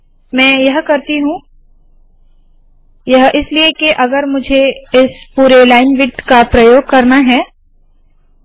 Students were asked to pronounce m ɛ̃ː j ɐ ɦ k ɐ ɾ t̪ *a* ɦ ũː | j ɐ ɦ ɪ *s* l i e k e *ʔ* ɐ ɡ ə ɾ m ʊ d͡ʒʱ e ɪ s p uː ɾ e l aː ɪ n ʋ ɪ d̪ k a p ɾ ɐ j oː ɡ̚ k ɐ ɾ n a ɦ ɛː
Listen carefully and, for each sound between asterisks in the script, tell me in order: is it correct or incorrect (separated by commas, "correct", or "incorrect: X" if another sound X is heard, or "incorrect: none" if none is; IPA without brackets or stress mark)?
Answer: incorrect: i, correct, correct